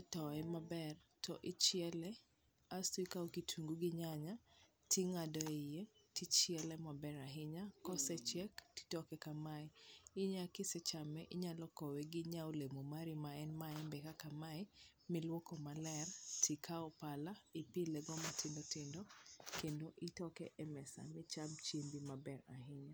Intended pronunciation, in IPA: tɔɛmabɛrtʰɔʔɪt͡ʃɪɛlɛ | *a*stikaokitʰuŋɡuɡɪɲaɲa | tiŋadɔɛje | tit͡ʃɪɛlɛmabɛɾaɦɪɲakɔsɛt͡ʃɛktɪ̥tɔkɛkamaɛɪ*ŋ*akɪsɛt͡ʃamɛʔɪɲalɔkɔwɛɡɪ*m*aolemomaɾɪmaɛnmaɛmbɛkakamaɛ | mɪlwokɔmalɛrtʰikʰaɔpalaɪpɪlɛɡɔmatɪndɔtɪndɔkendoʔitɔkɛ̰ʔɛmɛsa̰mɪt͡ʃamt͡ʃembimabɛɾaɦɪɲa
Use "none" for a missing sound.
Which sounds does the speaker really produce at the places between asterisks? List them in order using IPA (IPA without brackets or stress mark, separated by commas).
a, ɲ, ɲ